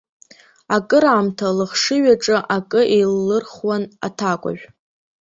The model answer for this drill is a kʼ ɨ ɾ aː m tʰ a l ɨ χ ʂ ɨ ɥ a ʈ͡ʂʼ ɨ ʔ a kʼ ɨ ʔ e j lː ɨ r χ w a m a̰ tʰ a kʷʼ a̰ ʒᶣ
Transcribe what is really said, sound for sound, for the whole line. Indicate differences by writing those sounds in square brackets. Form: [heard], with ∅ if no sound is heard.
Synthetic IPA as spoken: a kʼ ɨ ɾ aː m tʰ a l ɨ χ ʂ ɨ ɥ a ʈ͡ʂʼ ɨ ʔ a kʼ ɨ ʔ e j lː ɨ r χ w a [n] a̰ tʰ a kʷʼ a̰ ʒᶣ